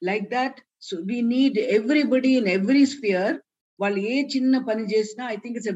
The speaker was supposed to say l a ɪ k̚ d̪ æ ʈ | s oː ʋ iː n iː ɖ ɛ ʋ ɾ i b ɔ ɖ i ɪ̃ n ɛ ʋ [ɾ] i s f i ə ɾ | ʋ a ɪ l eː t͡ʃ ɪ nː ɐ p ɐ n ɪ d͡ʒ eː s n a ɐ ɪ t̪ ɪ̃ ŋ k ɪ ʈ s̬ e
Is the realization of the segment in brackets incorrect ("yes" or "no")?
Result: no